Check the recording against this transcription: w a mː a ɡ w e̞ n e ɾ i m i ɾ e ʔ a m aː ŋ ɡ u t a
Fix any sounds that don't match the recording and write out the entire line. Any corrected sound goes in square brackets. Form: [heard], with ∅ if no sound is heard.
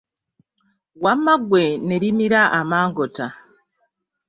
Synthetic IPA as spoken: w a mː a ɡ w e̞ n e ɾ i m i ɾ [a] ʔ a m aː ŋ ɡ [o] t a